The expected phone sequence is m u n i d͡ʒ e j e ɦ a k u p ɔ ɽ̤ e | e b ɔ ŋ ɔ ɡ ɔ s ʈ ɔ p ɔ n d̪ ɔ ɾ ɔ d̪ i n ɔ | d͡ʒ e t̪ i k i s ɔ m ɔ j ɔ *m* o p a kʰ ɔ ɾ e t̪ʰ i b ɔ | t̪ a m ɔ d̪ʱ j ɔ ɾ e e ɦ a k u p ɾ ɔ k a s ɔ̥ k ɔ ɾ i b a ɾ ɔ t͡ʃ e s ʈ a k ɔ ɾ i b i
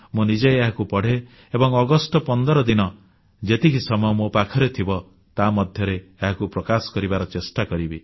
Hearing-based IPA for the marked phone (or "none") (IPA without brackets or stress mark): m